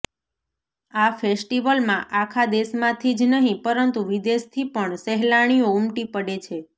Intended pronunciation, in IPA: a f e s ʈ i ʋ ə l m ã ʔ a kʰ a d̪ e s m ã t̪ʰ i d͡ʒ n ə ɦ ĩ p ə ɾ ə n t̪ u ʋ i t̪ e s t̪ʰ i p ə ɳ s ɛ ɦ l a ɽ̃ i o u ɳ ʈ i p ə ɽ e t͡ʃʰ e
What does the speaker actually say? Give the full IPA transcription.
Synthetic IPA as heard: a f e s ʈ i ʋ ə l m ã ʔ a kʰ a d̪ e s m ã t̪ʰ i d͡ʒ n ə ɦ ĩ p ə ɾ ə n t̪ u ʋ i d̪ e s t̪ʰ i p ə ɳ s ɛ ɦ l a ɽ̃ i o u m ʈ i p ə ɽ e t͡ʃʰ e